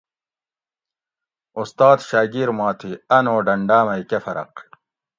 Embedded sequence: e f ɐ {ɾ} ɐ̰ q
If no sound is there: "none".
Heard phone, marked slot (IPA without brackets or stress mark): ɾ